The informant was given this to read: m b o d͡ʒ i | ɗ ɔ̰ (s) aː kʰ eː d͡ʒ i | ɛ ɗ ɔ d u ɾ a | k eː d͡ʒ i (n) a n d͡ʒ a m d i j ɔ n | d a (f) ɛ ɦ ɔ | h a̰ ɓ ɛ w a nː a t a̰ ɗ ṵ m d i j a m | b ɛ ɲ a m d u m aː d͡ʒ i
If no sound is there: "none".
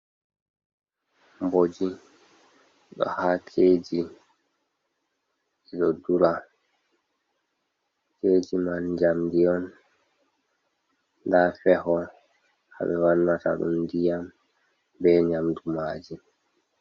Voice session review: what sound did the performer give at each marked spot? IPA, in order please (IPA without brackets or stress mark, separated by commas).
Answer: h, m, f